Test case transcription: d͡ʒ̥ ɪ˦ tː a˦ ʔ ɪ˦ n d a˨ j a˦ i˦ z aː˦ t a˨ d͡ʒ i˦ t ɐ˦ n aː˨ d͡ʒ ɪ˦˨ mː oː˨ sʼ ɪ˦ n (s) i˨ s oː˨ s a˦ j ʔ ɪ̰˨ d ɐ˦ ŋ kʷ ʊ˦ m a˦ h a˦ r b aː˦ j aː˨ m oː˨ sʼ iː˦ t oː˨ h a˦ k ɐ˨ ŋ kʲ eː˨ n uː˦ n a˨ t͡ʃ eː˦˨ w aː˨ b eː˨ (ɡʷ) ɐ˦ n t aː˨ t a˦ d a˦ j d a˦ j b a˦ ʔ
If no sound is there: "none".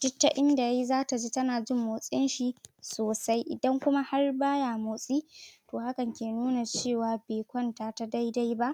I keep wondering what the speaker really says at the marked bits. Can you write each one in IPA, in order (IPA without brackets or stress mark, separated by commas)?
ʃ, kʷ